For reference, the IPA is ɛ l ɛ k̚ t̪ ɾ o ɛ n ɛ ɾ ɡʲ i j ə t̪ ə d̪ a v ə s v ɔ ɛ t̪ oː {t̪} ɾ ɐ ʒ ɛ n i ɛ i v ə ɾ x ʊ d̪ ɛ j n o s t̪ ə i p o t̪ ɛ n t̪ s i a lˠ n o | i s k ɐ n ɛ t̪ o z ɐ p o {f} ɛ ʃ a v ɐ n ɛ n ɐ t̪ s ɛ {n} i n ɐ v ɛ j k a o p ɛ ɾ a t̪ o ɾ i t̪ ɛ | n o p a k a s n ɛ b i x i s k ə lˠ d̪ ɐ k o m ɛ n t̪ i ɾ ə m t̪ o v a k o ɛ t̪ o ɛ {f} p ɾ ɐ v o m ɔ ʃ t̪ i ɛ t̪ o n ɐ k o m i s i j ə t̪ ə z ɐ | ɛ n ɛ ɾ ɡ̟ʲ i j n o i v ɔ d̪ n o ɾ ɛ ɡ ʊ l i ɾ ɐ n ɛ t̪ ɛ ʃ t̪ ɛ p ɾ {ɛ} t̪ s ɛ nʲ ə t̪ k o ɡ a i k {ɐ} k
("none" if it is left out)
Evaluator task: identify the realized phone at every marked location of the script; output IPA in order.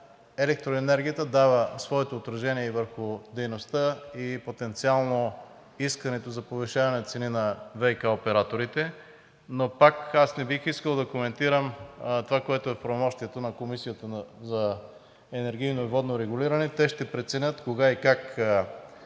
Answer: t̪, v, n, f, ɛ, a

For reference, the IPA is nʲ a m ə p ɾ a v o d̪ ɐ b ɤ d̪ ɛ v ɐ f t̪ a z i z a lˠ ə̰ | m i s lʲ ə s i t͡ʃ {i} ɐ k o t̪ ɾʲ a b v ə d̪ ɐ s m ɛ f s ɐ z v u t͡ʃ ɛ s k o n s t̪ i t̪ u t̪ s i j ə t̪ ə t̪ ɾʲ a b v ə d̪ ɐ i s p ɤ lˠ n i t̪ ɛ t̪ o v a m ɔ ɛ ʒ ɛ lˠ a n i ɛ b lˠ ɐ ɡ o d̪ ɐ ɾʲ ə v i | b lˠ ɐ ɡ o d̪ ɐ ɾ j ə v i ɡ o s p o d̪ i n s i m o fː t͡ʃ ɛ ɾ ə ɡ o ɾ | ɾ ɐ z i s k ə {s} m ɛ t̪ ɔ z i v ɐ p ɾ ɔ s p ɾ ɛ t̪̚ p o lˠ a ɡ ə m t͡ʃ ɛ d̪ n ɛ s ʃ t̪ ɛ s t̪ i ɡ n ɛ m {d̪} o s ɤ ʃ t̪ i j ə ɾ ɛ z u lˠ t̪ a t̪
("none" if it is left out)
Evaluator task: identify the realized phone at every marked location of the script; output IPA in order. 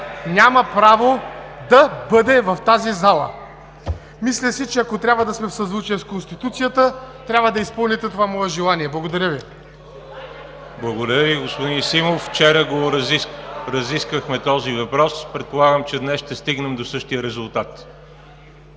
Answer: ɛ, x, d̪

